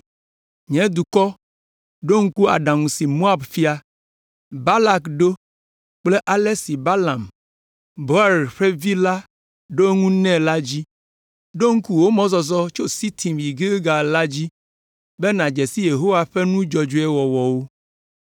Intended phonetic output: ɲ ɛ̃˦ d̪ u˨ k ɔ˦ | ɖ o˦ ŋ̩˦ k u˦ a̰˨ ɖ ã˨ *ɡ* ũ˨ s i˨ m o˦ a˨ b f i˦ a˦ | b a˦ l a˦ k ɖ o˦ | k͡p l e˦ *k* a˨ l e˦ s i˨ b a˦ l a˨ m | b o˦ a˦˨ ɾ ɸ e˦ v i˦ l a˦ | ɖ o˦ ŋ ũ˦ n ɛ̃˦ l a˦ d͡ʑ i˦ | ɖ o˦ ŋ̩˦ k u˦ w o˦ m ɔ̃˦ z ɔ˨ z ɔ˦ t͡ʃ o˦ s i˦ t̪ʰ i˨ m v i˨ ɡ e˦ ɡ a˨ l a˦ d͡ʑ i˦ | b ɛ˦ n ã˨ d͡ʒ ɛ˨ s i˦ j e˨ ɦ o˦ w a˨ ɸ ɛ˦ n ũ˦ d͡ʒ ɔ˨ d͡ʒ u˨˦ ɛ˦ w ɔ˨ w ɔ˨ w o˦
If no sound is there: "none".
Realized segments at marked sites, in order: ŋ, ʔ

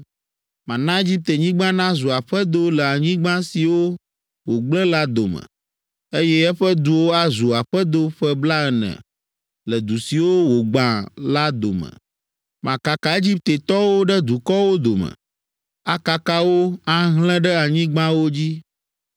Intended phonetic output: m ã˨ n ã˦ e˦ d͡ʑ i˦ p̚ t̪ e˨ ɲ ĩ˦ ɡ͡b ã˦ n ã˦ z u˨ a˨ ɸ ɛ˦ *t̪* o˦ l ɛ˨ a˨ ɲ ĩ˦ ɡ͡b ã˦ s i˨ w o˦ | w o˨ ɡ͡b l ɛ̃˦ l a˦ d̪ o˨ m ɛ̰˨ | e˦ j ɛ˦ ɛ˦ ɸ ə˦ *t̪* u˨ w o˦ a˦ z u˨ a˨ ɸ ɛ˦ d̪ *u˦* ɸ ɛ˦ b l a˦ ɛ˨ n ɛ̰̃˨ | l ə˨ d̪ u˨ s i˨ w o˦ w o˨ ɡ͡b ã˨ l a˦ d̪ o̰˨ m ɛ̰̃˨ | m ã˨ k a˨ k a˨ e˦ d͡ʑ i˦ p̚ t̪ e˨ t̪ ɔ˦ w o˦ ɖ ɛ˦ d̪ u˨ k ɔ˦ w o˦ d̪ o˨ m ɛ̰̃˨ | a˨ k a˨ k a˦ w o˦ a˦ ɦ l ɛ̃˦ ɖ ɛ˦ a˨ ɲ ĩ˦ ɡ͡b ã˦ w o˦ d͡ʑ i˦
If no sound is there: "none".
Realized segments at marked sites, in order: d̪, d̪, o˦

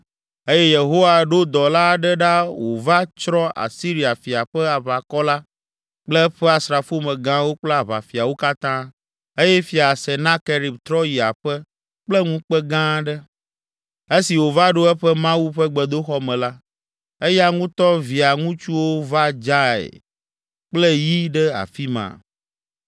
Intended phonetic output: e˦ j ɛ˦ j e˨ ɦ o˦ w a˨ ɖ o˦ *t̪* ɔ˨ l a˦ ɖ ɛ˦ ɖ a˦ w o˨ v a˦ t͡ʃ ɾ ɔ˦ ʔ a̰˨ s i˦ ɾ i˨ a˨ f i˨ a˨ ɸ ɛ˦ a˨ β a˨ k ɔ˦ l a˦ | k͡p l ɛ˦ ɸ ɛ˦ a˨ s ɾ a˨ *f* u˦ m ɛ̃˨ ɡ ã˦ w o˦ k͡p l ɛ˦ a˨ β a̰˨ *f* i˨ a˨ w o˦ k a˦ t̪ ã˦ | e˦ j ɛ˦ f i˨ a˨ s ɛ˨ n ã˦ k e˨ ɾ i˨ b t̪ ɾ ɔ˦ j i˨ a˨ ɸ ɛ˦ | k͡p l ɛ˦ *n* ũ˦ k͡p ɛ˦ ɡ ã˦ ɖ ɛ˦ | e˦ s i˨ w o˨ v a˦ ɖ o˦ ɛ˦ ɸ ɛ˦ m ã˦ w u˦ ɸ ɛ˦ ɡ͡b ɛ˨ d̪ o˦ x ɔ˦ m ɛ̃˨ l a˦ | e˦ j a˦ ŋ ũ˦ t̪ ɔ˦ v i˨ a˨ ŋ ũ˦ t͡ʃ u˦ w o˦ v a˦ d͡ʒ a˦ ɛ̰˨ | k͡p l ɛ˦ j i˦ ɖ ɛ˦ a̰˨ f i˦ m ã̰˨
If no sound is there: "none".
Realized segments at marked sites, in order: d̪, f, f, ŋ

